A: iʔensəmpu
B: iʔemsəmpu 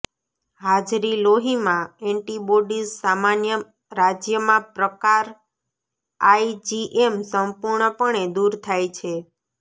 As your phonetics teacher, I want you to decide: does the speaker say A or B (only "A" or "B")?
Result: B